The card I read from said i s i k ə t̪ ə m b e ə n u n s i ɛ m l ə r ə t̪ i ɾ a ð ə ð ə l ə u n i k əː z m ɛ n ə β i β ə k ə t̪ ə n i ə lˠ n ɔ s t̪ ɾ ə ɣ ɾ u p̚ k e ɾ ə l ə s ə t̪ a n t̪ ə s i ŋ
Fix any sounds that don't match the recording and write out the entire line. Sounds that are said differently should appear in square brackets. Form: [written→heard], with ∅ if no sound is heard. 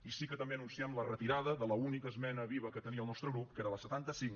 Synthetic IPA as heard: i s i k ə t̪ ə m b e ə n u n s i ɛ m l ə r ə t̪ i ɾ a ð ə ð ə l ə u n i k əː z m ɛ n ə β i β ə k ə t̪ ə n i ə lˠ n ɔ s t̪ ɾ ə ɣ ɾ u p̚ k e ɾ ə l ə s ə t̪ a n t̪ ə s i ŋ